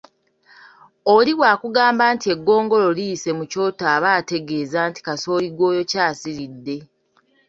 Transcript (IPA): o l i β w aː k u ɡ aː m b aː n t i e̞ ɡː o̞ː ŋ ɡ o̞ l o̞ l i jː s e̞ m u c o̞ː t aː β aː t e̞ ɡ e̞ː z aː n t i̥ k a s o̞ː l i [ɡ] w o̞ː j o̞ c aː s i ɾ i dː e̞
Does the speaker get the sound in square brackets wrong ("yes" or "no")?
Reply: no